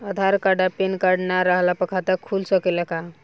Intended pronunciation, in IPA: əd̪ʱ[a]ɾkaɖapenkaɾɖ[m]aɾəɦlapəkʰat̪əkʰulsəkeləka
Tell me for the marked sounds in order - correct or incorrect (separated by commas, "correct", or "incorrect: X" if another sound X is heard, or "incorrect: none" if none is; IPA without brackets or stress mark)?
correct, incorrect: n